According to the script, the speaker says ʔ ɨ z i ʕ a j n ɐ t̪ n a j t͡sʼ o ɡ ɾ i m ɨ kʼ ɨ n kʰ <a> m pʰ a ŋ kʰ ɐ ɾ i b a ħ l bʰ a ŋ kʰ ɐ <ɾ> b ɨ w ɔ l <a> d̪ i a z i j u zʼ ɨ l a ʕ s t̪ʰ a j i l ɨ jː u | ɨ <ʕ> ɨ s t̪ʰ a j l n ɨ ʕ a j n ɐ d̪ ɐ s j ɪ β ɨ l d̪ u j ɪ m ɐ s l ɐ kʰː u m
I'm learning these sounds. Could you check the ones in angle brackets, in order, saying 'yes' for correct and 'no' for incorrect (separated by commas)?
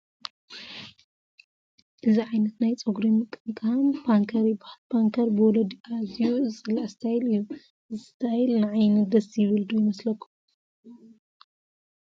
yes, yes, no, no